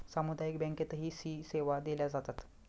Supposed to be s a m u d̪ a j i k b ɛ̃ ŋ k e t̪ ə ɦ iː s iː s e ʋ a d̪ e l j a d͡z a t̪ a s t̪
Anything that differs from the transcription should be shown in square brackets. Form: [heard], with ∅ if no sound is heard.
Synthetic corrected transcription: s a m u d̪ a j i k b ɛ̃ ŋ k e t̪ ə ɦ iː s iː s e ʋ a d̪ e l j a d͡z a t̪ a [∅] t̪